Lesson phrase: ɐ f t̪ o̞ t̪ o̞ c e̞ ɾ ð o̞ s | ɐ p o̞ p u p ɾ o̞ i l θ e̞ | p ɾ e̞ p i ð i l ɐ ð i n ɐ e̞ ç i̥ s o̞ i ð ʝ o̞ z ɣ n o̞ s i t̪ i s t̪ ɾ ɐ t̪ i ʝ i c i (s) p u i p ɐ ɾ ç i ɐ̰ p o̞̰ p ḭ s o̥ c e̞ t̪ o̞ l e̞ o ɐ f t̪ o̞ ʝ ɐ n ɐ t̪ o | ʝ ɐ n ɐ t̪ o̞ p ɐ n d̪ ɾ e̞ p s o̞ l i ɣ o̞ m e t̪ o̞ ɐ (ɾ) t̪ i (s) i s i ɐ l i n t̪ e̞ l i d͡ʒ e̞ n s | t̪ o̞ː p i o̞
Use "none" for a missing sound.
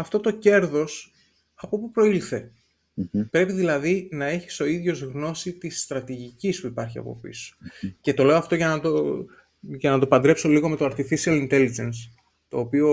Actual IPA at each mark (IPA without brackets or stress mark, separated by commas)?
s, ɾ, f